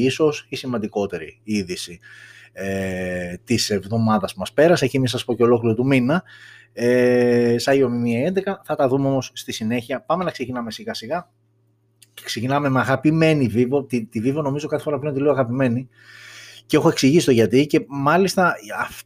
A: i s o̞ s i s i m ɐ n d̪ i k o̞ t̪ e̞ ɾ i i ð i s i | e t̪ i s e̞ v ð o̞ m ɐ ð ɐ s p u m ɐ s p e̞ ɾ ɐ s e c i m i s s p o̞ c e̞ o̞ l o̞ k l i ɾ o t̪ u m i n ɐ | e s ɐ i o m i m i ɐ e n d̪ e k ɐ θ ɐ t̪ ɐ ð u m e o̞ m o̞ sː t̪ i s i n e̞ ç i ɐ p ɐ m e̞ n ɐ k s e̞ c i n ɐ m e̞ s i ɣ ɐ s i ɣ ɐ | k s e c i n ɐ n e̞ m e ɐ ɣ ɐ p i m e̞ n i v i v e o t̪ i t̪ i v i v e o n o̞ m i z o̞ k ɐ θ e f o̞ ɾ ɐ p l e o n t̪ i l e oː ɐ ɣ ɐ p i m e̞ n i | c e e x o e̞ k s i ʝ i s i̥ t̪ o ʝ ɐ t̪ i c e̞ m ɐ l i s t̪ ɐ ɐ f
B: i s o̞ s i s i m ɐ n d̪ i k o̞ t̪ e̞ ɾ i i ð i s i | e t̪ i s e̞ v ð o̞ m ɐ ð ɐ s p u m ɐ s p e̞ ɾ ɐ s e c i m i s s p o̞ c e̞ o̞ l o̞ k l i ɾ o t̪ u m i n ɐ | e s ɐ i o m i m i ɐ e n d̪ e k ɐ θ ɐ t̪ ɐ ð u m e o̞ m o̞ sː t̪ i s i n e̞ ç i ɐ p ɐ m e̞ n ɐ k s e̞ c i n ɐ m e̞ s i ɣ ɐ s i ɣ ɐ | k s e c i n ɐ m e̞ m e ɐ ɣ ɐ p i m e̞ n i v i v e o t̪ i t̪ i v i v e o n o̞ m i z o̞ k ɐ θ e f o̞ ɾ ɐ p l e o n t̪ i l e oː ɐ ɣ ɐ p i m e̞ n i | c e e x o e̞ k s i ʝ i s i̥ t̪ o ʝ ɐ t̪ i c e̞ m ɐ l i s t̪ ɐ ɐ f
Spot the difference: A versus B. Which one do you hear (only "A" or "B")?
B